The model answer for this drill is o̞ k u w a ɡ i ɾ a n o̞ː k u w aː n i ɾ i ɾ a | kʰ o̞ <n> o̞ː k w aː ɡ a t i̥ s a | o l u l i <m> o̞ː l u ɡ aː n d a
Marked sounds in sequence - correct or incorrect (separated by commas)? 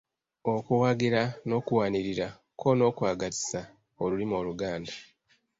correct, correct